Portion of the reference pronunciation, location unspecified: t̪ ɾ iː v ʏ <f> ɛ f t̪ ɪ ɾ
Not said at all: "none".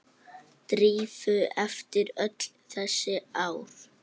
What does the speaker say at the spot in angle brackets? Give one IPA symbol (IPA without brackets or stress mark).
none